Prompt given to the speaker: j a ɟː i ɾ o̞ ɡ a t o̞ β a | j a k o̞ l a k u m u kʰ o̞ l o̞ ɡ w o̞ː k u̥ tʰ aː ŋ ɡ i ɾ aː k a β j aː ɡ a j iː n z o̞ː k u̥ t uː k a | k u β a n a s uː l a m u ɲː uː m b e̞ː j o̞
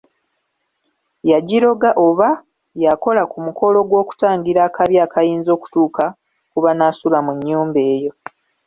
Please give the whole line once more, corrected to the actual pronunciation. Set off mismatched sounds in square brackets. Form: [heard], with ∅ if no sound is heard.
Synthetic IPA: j a [ɟ] i ɾ o̞ ɡ a [ʔ] o̞ β a | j a k o̞ l a k u m u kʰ o̞ l o̞ ɡ w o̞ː k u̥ [t] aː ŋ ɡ i ɾ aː k a β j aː [k] a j iː n z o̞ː k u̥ t uː k a | k u β a n a s [u] l a m u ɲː uː m b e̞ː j o̞